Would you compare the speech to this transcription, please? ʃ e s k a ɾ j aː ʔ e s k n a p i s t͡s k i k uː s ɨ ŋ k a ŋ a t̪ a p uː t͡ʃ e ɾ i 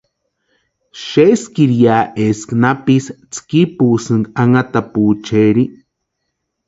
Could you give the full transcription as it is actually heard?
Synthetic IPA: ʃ e s k i ɾ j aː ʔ e s k n a p i s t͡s k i p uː s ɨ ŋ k a ŋ a t̪ a p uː t͡ʃ e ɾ i